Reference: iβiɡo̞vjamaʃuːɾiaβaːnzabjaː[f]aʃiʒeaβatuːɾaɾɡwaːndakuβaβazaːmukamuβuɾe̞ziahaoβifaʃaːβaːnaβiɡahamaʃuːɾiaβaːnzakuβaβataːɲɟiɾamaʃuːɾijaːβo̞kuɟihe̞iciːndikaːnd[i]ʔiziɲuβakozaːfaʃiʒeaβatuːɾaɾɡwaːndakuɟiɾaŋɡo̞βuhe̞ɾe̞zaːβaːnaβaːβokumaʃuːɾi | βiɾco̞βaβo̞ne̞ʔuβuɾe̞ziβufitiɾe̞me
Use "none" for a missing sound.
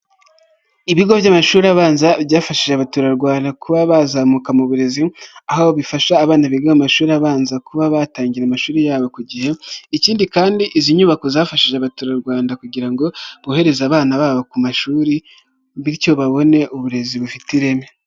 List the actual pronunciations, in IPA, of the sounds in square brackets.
f, i

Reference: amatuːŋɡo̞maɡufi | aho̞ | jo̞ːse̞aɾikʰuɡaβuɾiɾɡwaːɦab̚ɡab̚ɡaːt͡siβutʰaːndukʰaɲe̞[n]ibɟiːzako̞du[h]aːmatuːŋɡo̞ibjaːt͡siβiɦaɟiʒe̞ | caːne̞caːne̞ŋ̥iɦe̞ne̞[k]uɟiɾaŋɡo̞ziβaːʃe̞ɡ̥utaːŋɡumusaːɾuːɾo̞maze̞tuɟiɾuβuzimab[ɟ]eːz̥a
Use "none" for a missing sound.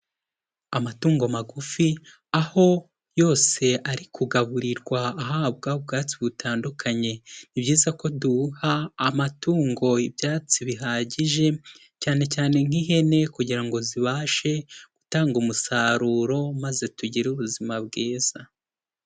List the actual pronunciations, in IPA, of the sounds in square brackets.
n, h, k, ɡ

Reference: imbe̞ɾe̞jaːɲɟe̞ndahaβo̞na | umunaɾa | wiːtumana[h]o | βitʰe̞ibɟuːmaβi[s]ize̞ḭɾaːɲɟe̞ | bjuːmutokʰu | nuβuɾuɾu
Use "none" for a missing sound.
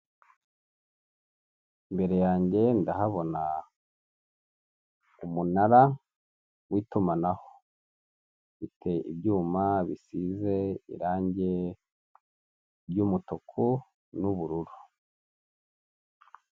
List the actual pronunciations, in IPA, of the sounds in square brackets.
h, s

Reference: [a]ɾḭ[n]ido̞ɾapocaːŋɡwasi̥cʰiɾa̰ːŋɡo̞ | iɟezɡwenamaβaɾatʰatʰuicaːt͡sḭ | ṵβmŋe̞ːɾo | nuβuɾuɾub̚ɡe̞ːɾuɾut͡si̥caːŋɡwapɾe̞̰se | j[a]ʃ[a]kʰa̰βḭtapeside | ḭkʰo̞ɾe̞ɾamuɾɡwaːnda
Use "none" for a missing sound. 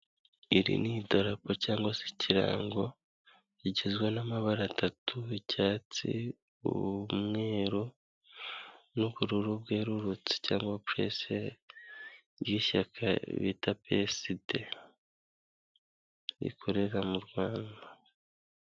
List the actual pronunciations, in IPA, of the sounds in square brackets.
i, n, i, a

